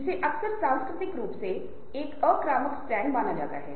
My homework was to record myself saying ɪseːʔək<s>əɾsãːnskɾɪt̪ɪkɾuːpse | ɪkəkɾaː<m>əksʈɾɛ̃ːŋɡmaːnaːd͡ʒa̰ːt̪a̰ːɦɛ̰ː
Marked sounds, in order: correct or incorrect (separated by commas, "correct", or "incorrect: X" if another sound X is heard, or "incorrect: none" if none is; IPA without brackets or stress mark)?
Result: correct, correct